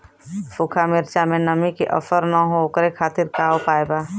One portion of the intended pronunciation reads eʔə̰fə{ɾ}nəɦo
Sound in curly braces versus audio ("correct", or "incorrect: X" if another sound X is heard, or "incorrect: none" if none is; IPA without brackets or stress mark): correct